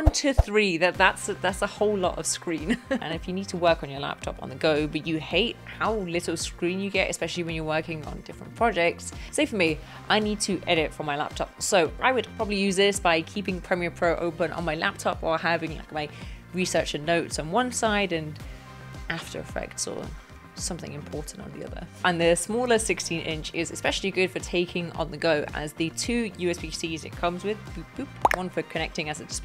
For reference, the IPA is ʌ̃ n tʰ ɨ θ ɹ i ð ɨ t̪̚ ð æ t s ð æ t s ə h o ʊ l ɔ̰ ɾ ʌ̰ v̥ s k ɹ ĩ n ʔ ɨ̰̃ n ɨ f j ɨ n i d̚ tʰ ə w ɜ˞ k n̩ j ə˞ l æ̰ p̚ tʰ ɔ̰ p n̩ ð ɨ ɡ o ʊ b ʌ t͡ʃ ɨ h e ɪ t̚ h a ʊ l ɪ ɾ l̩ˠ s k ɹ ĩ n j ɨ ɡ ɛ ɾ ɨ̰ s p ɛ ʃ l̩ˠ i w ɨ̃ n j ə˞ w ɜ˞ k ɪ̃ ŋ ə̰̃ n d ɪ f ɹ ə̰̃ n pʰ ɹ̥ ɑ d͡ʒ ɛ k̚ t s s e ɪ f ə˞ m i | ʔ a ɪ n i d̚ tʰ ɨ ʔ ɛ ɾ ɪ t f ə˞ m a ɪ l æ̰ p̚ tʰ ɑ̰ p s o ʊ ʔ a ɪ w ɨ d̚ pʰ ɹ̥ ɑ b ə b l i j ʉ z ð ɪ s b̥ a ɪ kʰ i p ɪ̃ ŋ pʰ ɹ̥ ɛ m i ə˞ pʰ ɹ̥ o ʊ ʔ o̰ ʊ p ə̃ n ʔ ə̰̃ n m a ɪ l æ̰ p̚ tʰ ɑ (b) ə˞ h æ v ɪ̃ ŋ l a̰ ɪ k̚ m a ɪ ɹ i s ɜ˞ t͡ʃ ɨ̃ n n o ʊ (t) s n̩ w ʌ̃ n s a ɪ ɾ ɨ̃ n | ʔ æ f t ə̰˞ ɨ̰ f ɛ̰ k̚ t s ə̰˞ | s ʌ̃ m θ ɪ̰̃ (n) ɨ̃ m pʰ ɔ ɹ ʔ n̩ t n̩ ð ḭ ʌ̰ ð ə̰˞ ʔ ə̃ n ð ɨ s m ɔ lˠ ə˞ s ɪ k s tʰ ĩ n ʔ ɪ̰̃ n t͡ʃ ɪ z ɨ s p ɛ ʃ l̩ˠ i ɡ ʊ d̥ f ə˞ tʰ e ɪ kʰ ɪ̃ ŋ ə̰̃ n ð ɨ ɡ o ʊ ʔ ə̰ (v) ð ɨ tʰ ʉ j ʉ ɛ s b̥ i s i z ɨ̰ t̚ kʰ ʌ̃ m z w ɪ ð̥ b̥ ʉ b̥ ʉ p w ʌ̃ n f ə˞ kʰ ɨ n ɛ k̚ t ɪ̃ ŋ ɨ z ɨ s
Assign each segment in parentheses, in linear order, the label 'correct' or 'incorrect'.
incorrect: p, correct, incorrect: ŋ, incorrect: z

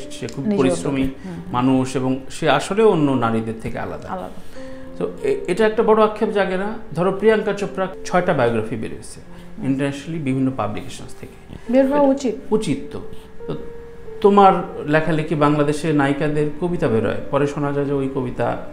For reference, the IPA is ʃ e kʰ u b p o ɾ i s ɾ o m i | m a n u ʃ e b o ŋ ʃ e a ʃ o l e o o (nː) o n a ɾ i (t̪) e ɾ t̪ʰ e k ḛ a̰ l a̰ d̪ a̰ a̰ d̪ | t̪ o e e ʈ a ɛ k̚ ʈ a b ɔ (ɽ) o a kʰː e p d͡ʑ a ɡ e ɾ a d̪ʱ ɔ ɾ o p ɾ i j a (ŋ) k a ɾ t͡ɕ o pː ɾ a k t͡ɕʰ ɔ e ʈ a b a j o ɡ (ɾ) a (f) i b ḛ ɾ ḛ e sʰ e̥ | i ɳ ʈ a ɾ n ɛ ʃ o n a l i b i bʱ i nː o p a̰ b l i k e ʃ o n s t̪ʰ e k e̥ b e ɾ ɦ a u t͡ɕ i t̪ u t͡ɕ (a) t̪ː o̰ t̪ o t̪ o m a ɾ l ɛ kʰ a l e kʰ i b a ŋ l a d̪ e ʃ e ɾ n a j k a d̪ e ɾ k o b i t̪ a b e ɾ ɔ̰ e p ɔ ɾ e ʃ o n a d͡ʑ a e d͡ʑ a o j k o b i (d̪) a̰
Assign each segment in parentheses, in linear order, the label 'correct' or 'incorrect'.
correct, incorrect: d̪, correct, correct, correct, correct, incorrect: i, incorrect: t̪

